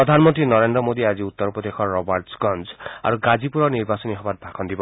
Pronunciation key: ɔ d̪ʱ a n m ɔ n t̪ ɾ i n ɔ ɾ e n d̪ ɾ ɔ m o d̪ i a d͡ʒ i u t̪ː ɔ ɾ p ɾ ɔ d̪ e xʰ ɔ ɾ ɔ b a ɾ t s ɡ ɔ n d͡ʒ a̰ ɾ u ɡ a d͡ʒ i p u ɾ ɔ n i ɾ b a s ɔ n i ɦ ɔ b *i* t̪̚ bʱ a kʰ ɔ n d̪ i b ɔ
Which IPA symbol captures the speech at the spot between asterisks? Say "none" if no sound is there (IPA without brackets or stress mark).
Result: a